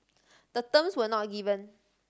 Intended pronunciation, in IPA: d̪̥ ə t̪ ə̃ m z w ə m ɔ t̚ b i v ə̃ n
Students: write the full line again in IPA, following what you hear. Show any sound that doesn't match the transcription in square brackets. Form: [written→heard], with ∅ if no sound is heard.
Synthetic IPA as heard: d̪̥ ə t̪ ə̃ m [z→s] w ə [m→n] ɔ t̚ [b→ɡ] i v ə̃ n

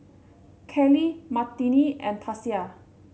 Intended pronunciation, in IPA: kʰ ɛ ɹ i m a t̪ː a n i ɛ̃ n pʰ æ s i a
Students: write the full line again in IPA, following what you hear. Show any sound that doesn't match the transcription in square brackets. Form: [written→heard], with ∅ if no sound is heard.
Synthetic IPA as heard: kʰ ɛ [ɹ→l] i m a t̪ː [a→i] n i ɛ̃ n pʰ [æ→a] s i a

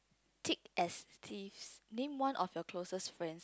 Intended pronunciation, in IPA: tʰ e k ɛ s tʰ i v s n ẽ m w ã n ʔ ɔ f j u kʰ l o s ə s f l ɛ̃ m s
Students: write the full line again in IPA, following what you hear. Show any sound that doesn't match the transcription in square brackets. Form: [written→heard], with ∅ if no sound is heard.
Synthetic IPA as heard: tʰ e k ɛ s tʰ i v s n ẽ m w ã n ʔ ɔ f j [u→ɔ] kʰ l o s ə s f [l→ɹ] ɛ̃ [m→n] s

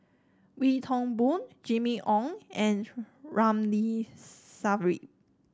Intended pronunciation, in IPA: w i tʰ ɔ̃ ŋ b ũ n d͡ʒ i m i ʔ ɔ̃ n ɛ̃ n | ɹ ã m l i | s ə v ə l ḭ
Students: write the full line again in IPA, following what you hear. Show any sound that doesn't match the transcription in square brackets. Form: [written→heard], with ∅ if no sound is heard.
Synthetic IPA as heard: w i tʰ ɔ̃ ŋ b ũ n d͡ʒ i m i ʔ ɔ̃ [n→ŋ] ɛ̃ n | ɹ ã m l i | s [ə→a] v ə [l→ɹ] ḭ

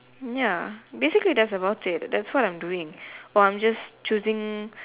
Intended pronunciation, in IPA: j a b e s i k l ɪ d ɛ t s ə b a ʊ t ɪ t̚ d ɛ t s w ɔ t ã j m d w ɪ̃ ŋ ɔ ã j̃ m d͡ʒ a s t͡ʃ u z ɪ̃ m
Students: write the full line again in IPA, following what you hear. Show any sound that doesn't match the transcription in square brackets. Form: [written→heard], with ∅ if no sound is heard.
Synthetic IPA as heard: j a b e s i k l [ɪ→i] d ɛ t s ə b a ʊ t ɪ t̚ d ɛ t s w ɔ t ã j m d [w→u] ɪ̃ ŋ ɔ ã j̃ m d͡ʒ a s t͡ʃ u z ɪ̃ [m→ŋ]

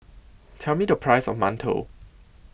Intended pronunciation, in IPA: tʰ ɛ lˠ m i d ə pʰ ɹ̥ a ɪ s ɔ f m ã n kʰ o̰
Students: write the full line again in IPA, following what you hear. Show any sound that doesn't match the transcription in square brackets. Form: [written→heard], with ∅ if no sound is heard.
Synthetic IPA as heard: tʰ ɛ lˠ m i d ə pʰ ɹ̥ a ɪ s ɔ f m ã n [kʰ→tʰ] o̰

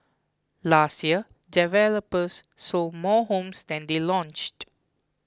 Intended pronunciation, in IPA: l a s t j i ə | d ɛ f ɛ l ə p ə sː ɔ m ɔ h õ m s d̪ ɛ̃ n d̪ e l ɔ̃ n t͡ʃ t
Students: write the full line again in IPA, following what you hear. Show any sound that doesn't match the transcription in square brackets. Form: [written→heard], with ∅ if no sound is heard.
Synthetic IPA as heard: l a s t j i ə | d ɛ [f→v] ɛ l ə p ə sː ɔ m ɔ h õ m s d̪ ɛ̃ n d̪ e l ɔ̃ n t͡ʃ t

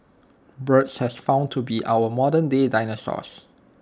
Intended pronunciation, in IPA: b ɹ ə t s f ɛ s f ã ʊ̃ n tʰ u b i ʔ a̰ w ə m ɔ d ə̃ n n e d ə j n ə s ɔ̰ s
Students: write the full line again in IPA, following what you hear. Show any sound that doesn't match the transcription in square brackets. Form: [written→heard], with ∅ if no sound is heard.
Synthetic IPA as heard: b ɹ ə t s [f→h] ɛ s f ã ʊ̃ n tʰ u b i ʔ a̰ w ə m ɔ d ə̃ n [n→d] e d [ə→a] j n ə s ɔ̰ s

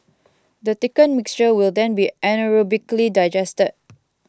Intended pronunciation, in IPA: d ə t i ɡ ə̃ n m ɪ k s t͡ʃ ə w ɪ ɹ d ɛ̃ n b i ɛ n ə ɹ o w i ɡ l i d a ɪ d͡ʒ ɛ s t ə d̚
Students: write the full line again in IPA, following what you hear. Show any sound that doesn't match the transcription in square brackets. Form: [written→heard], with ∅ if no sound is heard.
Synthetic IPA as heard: d ə t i [ɡ→k] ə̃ n m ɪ k s t͡ʃ ə w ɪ [ɹ→l] d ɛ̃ n b i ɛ n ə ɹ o [w→b] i [ɡ→k] l i d a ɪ d͡ʒ ɛ s t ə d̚

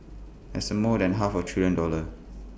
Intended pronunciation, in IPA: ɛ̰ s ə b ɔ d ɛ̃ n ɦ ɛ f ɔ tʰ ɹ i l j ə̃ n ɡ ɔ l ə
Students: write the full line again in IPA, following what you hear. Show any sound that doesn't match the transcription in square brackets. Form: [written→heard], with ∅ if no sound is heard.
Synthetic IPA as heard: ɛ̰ s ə [b→m] ɔ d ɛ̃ n ɦ [ɛ→a] f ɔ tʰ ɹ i l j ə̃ n [ɡ→d] ɔ l ə

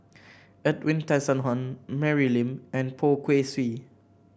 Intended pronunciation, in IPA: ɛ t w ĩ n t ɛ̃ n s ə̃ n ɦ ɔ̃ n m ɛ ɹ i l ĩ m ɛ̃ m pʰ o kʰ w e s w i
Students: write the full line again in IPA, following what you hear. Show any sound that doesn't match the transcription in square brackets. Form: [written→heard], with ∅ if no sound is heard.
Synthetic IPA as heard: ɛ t w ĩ n t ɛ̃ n s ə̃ n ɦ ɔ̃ n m ɛ ɹ i l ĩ m ɛ̃ [m→n] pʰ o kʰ w e s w i

